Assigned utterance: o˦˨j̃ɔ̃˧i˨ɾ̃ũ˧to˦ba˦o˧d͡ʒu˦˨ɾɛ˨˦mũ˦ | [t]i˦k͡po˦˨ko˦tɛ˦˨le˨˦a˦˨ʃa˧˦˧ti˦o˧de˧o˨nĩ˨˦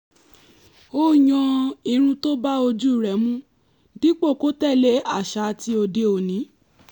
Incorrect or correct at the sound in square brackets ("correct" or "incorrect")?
incorrect